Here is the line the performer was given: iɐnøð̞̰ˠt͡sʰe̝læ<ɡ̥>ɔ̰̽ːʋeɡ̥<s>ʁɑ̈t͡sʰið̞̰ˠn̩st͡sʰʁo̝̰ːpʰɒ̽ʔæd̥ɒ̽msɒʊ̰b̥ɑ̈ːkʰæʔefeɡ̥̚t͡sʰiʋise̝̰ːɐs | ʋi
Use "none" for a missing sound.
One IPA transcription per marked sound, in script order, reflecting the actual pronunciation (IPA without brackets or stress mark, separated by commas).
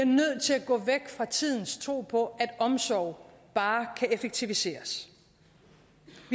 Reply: ɡ̥, f